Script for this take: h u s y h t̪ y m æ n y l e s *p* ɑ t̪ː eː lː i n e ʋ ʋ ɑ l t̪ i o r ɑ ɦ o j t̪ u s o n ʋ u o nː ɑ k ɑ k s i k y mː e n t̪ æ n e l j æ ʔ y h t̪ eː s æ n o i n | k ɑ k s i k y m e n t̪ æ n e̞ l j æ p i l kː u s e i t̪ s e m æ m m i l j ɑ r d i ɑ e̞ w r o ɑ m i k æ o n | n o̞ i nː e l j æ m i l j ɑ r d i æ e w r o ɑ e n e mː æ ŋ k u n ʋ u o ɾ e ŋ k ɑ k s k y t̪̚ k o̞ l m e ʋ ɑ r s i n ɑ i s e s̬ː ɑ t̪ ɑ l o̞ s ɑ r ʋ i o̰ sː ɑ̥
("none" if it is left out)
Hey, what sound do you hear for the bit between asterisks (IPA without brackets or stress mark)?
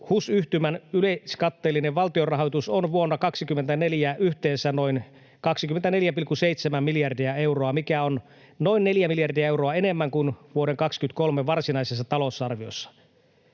k